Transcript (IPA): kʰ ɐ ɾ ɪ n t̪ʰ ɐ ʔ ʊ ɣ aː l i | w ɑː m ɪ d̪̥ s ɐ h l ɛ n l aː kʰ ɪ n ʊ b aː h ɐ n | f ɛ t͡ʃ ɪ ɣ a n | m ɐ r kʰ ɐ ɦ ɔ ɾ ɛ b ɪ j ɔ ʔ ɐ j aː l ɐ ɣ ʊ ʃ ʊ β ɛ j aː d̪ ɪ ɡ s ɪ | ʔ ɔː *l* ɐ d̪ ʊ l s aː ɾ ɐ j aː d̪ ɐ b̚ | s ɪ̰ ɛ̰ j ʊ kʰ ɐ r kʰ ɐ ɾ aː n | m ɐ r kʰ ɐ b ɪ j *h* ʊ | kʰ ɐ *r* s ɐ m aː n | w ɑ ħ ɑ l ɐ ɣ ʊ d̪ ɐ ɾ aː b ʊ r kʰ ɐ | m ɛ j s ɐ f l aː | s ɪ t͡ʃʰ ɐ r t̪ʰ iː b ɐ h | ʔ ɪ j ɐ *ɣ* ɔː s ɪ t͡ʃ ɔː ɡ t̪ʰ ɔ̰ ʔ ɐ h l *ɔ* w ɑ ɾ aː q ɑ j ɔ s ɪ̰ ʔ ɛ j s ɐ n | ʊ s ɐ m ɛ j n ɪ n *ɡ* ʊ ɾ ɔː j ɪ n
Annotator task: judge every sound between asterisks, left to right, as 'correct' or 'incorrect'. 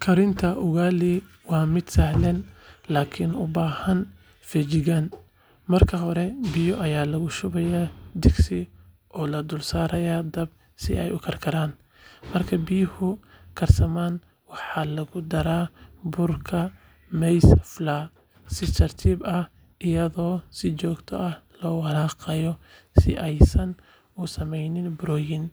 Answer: correct, correct, correct, incorrect: ð, incorrect: ɔː, incorrect: b

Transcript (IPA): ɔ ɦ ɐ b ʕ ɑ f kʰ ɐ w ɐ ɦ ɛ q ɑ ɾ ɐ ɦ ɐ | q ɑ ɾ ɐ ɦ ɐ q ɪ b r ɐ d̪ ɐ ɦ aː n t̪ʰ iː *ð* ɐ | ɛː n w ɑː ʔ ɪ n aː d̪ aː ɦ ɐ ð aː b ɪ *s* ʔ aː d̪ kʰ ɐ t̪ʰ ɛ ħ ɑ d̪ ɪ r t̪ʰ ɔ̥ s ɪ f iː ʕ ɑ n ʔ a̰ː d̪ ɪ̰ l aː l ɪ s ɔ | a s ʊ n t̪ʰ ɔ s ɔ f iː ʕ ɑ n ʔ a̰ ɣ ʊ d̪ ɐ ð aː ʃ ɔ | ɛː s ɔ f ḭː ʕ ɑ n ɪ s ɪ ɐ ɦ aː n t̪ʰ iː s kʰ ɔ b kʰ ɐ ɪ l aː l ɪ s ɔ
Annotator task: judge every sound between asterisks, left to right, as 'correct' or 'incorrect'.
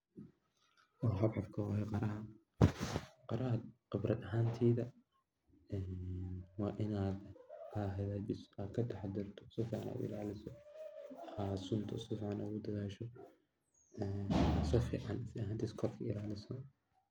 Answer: correct, correct

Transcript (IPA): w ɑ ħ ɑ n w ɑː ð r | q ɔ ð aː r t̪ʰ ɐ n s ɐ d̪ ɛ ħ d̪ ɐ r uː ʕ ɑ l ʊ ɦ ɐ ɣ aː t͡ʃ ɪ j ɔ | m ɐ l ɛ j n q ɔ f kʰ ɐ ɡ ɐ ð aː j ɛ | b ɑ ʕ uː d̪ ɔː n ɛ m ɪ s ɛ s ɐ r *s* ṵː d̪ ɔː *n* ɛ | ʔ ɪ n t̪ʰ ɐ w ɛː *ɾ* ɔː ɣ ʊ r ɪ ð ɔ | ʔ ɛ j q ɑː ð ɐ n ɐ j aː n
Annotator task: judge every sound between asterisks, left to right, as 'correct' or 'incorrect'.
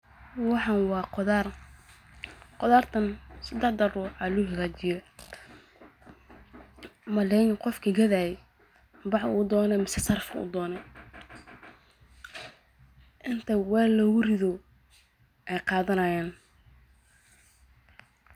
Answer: incorrect: f, correct, incorrect: l

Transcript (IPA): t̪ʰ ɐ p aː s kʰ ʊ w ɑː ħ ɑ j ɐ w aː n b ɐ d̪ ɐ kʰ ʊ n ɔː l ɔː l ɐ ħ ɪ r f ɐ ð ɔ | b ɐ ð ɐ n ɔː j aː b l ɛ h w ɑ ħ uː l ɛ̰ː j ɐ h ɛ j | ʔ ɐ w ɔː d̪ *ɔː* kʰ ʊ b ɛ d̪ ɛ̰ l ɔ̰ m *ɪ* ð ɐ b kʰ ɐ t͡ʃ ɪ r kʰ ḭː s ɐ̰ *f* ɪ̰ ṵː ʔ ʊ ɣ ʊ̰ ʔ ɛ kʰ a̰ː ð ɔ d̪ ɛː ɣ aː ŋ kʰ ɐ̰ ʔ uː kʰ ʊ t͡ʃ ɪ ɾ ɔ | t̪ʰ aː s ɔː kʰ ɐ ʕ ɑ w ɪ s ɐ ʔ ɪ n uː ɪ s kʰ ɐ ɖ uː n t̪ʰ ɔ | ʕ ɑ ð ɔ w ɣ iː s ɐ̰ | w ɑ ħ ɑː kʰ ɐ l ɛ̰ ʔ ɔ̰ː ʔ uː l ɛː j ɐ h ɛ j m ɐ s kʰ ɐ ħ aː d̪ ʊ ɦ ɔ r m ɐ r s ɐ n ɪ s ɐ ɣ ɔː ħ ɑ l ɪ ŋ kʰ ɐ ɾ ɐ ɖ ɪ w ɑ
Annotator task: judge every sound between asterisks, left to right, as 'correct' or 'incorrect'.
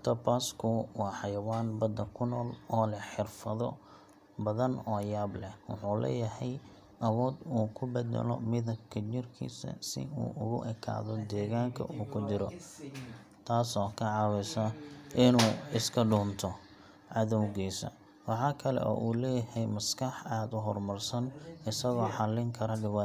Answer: incorrect: uː, correct, incorrect: s

